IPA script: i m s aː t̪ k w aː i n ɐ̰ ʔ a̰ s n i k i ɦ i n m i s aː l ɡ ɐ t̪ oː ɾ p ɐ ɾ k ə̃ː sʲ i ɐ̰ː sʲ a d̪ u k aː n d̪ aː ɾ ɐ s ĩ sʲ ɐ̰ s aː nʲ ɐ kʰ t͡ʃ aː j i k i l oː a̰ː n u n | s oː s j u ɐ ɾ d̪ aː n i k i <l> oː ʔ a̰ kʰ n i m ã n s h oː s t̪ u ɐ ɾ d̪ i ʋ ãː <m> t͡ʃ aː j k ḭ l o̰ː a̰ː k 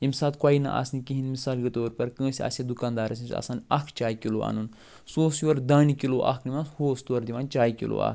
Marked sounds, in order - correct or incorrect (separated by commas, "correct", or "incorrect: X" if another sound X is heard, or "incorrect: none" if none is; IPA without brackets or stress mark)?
correct, incorrect: n